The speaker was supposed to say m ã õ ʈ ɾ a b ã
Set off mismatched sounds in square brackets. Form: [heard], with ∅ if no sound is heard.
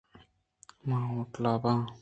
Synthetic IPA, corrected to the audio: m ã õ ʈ [l] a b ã

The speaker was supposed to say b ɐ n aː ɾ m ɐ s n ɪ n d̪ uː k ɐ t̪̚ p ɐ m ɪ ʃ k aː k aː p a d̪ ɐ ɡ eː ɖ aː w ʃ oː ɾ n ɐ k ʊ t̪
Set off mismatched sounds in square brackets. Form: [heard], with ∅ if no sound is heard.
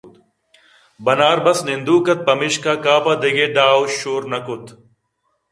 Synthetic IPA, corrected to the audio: b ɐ n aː ɾ [b] ɐ s n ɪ n d̪ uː k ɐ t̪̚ p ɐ m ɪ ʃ k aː k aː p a d̪ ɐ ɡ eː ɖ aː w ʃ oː ɾ n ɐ k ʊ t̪

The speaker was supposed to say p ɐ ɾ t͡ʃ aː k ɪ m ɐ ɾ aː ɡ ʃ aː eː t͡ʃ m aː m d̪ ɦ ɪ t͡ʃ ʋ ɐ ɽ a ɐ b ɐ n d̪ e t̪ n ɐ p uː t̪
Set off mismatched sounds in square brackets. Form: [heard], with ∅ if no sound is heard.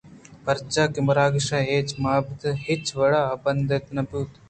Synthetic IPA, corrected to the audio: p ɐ ɾ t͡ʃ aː k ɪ m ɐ ɾ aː ɡ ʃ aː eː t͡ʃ m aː [b] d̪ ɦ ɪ t͡ʃ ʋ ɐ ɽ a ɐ b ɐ n d̪ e t̪ n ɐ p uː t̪

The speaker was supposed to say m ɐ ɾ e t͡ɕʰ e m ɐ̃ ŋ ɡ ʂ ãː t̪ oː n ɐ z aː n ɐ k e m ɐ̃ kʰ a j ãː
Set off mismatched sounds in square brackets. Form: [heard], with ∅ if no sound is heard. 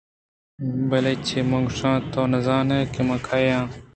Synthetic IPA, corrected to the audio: [b] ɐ [l] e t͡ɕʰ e m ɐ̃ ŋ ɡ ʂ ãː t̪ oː n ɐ z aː n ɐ k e m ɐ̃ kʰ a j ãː

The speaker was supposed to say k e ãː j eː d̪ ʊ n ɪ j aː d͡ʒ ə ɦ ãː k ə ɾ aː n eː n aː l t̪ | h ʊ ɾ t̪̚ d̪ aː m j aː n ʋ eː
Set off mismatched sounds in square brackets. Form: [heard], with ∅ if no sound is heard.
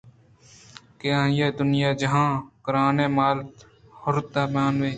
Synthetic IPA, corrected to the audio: k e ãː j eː d̪ ʊ n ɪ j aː d͡ʒ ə ɦ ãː k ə ɾ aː n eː [m] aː l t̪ | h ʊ ɾ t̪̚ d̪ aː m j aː n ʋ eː

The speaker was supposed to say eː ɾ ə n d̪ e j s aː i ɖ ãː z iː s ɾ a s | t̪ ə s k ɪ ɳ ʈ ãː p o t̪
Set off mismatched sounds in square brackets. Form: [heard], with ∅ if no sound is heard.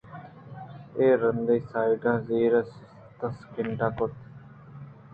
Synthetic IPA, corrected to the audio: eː ɾ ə n d̪ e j s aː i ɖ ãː z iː [∅] ɾ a s | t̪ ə s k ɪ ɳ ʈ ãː [k] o t̪

